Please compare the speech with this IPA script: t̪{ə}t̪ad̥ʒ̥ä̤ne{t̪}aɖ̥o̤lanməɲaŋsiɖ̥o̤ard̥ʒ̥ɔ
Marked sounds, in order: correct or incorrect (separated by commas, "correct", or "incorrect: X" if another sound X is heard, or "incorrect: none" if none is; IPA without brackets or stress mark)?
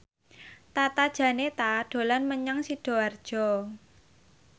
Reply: incorrect: a, correct